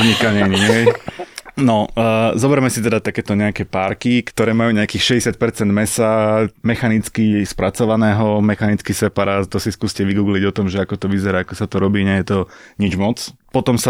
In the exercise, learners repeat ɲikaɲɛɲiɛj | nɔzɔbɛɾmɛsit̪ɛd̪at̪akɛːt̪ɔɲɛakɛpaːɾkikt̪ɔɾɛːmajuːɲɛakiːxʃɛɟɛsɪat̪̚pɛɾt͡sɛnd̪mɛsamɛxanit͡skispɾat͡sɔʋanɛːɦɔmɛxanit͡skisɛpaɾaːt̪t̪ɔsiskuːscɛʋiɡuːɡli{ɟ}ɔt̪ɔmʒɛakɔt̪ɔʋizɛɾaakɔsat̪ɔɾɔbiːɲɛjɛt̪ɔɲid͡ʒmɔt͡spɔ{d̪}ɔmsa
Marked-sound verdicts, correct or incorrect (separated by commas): correct, incorrect